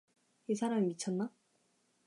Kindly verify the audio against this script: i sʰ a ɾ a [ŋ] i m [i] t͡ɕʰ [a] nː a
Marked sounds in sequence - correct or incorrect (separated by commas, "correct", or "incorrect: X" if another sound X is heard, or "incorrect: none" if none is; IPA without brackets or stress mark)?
incorrect: m, correct, incorrect: ʌ